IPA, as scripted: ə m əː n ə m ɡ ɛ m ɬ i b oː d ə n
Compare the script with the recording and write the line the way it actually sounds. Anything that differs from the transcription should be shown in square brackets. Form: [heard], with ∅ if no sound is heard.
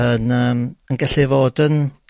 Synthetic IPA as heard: ə [n] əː [m] ə [n] ɡ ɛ [∅] ɬ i [v] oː d ə n